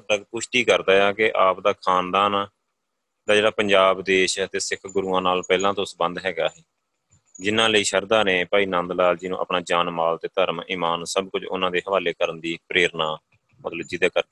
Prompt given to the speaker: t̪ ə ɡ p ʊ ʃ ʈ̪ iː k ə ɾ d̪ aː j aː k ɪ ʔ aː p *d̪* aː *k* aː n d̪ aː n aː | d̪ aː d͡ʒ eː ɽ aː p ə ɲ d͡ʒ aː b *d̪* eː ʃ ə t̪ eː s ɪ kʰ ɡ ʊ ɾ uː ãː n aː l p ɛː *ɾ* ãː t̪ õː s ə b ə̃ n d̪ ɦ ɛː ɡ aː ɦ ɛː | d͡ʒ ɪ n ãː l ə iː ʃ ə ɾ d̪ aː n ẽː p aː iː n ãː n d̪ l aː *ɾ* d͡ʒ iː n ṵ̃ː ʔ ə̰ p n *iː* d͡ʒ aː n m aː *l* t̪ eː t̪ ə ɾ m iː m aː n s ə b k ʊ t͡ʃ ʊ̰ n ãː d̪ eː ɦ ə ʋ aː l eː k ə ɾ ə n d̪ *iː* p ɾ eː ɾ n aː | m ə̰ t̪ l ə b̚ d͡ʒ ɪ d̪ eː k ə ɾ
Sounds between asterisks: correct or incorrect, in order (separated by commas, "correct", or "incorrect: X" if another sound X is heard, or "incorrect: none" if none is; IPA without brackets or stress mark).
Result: correct, incorrect: kʰ, correct, incorrect: l, incorrect: l, incorrect: aː, correct, correct